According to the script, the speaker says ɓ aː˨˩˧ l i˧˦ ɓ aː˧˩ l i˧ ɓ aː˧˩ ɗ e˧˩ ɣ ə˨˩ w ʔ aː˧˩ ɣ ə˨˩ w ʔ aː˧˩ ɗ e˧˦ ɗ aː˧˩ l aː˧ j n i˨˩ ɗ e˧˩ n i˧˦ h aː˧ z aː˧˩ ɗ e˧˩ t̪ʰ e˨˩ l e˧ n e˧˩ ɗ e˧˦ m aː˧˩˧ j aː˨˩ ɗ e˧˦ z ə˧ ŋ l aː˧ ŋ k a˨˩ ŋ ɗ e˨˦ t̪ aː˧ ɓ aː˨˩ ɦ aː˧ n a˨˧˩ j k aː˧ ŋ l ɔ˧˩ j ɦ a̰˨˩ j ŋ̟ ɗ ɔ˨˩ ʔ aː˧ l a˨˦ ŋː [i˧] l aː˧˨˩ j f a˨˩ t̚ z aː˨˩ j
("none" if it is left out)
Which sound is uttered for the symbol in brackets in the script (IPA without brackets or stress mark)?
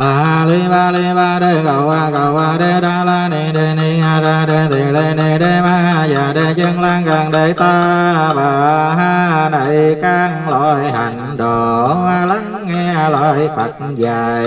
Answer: ɛ˧